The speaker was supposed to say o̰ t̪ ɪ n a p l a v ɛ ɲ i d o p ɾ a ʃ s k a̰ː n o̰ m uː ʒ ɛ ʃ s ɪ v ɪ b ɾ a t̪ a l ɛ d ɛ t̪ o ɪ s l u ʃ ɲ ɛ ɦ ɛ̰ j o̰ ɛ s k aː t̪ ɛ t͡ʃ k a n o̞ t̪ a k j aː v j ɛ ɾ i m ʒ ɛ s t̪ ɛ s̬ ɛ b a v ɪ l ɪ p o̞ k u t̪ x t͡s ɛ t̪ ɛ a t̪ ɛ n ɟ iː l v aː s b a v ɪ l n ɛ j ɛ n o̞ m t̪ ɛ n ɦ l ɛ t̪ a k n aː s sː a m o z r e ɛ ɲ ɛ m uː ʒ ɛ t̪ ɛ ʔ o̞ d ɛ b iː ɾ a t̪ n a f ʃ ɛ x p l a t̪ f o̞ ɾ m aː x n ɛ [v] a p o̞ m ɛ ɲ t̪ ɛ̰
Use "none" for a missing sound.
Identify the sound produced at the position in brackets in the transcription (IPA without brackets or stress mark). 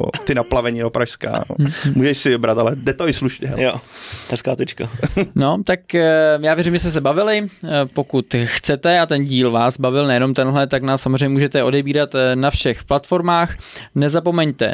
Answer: z